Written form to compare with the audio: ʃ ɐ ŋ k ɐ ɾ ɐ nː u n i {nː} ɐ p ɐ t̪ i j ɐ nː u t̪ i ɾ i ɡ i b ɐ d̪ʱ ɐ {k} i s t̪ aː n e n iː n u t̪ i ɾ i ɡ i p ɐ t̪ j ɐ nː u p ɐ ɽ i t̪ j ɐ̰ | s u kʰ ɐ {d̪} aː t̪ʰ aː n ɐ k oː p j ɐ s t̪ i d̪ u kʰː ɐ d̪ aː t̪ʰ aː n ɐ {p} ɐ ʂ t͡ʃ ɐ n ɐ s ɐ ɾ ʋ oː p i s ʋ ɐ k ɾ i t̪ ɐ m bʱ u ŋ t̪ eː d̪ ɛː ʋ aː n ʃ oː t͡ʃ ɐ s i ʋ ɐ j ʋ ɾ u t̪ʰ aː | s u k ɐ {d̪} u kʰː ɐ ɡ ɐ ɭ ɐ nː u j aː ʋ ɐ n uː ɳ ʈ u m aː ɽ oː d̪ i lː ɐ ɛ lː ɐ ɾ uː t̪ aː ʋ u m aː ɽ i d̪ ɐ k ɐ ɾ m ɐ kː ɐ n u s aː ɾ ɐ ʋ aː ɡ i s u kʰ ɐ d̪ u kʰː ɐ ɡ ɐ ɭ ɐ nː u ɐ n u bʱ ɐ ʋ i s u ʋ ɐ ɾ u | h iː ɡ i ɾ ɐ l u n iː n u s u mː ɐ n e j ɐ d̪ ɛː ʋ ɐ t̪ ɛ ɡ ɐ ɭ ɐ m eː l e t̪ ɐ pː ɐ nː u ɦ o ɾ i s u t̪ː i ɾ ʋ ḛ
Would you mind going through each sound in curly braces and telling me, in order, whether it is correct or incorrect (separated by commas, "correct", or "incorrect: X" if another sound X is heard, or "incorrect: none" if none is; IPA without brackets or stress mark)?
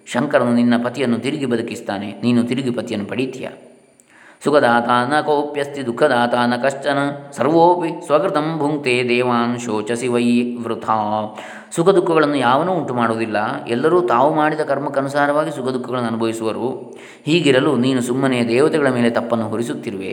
correct, correct, correct, incorrect: k, correct